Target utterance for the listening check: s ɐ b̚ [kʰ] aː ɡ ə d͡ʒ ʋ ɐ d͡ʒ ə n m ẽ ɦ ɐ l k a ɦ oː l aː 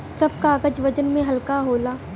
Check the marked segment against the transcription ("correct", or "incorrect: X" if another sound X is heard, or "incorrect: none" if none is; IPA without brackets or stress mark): incorrect: k